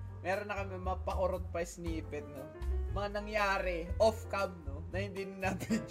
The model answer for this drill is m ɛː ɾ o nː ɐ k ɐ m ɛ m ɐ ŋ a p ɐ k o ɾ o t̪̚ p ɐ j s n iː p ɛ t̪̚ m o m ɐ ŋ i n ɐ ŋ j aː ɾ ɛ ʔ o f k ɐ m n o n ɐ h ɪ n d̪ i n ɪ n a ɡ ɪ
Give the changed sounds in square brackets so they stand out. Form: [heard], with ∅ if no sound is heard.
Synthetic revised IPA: m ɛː ɾ o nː ɐ k ɐ m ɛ m ɐ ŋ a p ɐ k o ɾ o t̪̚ p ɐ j s n iː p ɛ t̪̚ [n] o m ɐ ŋ [a] n ɐ ŋ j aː ɾ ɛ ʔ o f k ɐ m n o n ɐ h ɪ n d̪ i n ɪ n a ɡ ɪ